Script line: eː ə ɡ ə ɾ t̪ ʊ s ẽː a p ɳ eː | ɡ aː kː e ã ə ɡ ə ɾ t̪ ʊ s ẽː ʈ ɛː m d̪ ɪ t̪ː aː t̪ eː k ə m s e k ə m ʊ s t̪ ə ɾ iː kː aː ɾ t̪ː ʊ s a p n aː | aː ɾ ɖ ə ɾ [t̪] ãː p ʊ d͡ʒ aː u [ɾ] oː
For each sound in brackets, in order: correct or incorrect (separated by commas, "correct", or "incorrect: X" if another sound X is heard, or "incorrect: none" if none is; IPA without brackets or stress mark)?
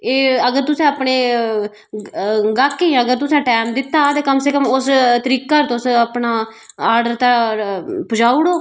correct, incorrect: ɽ